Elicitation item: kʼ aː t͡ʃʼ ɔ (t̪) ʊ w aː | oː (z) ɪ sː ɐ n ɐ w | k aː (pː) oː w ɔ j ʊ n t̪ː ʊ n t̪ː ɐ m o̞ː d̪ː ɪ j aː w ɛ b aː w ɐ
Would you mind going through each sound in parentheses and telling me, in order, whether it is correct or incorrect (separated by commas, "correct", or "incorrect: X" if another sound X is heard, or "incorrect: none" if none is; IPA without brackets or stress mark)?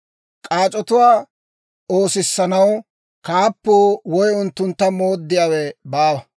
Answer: correct, incorrect: s, correct